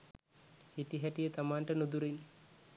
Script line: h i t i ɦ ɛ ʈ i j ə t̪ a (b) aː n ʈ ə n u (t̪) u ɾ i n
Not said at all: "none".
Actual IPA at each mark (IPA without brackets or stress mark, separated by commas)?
m, d̪